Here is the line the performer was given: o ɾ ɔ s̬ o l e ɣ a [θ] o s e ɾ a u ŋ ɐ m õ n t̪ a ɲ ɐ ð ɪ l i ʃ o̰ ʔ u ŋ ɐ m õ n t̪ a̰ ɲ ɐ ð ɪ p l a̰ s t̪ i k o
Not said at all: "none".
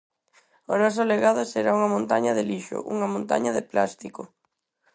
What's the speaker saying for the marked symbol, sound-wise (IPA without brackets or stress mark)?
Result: ð